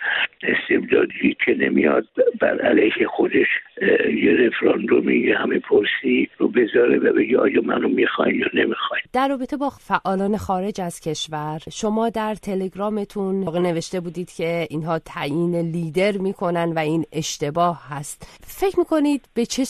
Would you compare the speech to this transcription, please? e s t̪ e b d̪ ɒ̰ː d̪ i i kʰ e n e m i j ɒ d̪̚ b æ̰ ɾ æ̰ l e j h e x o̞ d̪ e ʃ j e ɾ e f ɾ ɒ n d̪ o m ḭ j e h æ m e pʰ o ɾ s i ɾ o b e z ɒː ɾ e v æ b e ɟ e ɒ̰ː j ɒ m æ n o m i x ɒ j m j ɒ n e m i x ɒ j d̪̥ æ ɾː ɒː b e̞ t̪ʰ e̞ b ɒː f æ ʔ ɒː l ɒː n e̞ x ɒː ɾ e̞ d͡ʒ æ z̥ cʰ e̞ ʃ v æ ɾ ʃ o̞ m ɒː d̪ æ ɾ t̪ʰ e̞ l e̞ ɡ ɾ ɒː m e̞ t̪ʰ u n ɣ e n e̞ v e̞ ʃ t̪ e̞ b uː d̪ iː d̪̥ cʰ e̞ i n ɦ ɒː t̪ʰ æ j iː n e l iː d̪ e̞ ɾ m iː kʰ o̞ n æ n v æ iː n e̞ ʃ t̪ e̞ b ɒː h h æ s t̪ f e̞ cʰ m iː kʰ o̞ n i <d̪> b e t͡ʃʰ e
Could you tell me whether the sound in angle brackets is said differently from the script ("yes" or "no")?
no